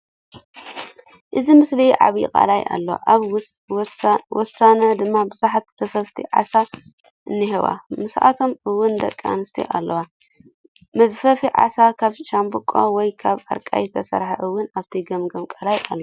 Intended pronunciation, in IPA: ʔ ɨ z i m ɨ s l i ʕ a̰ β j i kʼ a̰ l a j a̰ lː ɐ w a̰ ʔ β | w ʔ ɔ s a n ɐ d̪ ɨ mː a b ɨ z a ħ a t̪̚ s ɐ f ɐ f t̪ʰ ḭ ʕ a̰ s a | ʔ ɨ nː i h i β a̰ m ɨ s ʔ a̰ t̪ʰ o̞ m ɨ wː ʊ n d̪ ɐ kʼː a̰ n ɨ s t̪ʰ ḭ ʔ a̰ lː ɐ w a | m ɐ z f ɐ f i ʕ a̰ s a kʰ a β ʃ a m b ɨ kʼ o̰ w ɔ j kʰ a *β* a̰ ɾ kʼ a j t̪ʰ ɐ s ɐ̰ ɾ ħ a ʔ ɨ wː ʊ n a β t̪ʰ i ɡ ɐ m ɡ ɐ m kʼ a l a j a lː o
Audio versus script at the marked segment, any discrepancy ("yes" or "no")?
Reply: no